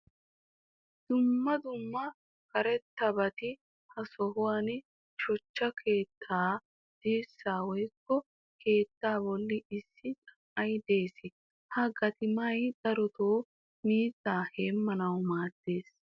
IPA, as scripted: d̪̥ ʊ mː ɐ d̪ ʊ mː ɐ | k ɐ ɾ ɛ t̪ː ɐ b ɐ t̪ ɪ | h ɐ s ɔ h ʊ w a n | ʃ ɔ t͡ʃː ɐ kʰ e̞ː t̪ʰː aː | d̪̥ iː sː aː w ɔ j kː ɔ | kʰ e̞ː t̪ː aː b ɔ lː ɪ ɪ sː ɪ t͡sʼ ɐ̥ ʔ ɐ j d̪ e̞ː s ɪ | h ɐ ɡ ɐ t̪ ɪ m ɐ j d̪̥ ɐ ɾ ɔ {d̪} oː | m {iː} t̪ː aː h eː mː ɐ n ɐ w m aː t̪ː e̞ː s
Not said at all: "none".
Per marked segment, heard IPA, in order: t̪, iː

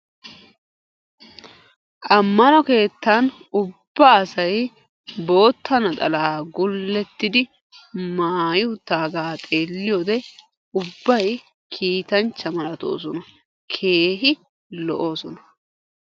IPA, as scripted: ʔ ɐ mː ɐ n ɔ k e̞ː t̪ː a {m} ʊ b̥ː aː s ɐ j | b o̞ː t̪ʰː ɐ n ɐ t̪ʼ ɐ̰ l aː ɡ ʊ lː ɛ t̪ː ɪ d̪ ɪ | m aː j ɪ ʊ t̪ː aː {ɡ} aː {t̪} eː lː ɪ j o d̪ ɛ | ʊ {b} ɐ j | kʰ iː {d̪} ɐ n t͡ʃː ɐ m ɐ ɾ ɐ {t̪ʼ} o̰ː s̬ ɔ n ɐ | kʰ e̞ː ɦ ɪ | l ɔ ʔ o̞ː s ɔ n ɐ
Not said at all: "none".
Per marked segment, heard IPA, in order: n, ɡ, t̪ʼ, bː, t̪, t̪

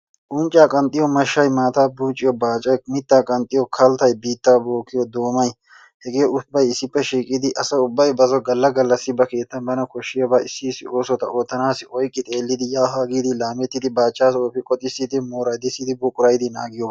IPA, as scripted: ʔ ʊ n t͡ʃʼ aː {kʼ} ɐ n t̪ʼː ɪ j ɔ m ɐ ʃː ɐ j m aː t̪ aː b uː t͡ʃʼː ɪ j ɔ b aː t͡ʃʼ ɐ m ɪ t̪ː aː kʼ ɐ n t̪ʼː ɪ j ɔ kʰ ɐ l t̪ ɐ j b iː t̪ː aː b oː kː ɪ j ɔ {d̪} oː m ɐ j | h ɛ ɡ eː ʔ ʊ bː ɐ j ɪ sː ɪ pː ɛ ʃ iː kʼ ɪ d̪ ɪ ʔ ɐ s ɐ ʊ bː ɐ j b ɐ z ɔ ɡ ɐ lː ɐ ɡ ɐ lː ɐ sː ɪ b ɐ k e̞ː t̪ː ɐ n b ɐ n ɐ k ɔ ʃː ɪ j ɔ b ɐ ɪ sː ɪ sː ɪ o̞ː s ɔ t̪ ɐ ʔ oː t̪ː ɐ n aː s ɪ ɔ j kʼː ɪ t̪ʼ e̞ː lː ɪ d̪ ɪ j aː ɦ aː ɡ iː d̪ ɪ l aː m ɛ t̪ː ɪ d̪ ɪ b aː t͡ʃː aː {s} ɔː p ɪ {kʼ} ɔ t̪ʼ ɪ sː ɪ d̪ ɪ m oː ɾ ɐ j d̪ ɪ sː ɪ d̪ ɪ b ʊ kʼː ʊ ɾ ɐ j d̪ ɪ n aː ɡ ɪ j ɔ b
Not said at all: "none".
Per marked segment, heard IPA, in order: kʼ, d̪, s, kʼ

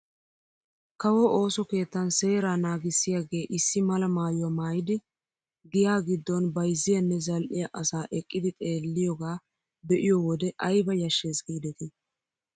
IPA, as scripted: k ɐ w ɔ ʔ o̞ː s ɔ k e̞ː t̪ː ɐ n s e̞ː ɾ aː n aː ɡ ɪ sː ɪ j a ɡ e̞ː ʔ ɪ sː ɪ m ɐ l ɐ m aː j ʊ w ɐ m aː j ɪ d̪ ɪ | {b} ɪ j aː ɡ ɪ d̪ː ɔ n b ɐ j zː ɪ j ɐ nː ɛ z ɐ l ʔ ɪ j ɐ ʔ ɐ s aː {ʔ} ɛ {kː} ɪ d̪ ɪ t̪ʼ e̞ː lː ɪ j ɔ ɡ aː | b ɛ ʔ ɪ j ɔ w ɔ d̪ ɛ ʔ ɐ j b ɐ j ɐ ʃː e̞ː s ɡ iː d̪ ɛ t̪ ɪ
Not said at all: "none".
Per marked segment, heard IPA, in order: ɡ, ʔ, kʼː

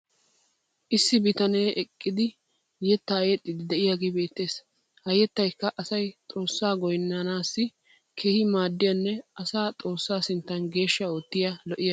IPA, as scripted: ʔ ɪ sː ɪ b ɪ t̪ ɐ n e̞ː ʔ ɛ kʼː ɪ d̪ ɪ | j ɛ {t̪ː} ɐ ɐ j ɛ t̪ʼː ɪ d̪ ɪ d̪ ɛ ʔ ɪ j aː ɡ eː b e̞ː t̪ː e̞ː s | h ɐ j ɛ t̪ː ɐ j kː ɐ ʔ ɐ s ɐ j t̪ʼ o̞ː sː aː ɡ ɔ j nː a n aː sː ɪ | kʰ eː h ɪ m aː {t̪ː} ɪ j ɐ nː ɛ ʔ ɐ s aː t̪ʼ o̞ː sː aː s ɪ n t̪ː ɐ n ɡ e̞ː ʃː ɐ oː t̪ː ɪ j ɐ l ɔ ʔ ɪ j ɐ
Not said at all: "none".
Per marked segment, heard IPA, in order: t̪ː, d̪ː

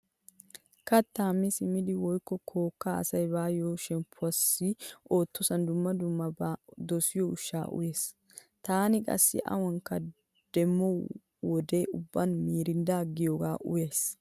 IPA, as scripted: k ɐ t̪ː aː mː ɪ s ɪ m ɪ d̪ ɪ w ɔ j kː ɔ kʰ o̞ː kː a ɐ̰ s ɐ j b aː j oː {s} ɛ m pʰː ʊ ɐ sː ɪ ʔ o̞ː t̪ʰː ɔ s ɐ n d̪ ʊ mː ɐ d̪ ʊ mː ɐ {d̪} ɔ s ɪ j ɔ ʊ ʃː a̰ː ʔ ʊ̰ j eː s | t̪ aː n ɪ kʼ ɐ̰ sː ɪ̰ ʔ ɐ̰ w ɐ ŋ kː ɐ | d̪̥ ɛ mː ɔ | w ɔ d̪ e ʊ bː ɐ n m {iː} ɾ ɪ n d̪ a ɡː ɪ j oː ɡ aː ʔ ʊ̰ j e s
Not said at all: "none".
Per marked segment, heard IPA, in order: ʃ, d̪, iː

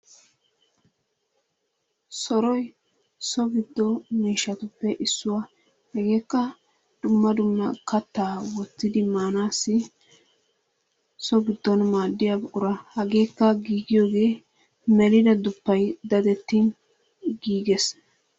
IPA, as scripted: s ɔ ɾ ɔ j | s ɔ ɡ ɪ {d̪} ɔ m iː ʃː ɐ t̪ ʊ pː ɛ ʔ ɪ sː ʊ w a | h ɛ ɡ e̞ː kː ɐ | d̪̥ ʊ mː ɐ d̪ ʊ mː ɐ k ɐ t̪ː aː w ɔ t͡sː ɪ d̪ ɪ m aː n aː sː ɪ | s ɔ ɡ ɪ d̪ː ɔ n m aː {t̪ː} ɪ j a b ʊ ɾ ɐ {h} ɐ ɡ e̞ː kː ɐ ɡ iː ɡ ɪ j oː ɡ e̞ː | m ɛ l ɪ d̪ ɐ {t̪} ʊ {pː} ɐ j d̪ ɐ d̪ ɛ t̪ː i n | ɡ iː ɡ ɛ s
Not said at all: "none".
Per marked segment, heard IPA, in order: d̪ː, d̪ː, h, d̪, pː

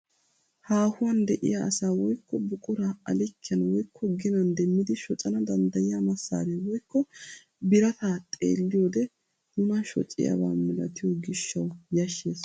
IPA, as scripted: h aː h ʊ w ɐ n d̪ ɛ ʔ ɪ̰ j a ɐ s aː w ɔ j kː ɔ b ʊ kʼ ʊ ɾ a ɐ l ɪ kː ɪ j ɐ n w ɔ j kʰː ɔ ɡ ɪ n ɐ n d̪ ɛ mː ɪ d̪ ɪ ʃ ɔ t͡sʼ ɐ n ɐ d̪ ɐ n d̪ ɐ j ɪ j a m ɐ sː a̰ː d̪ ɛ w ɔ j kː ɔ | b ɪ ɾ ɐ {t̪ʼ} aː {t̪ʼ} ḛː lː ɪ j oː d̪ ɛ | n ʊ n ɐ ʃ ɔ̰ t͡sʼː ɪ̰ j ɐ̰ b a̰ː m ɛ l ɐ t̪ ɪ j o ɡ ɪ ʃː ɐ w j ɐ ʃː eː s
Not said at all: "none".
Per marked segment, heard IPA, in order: t̪, t̪ʼ

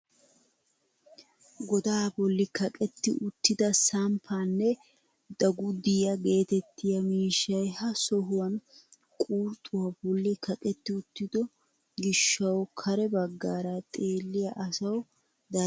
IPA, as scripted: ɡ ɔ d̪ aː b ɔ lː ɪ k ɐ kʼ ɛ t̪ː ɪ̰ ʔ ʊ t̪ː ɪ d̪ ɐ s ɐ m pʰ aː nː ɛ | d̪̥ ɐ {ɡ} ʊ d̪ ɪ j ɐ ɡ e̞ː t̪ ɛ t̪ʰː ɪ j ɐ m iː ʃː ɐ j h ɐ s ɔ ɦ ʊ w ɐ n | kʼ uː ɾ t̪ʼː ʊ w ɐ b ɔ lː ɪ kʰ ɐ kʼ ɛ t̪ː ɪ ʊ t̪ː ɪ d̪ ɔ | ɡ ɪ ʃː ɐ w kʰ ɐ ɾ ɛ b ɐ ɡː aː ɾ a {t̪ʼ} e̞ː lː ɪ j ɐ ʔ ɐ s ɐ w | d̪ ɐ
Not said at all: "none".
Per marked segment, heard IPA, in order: ɡ, t̪ʼ

